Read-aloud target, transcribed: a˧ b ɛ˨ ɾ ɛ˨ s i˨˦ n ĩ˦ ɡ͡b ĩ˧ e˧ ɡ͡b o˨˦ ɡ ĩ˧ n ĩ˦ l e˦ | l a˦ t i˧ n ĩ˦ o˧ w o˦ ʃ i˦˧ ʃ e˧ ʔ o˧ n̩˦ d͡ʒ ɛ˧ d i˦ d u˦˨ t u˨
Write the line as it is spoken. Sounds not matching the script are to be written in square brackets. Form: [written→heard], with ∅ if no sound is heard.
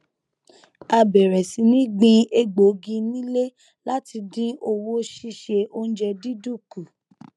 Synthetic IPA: a˧ b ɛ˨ ɾ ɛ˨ s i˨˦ n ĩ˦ ɡ͡b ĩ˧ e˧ ɡ͡b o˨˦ ɡ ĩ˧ n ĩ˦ l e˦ | l a˦ t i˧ [n→d] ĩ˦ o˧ w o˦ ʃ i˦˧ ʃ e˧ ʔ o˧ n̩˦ d͡ʒ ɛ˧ d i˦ d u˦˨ [t→k] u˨